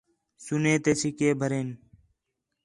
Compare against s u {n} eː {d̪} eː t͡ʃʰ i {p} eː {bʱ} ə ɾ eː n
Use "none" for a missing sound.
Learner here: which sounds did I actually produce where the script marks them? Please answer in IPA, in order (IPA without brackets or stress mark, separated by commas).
n, t̪, k, bʱ